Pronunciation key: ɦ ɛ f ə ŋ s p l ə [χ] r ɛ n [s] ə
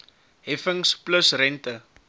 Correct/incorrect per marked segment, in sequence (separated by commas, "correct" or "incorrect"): incorrect, incorrect